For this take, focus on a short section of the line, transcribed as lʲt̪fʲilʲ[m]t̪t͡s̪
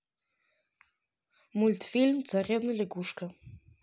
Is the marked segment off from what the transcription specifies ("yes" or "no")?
no